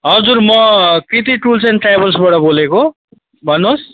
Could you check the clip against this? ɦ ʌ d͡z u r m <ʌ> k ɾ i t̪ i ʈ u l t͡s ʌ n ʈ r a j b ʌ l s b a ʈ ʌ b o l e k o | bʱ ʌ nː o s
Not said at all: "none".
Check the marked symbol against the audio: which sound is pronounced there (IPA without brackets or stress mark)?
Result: ʌ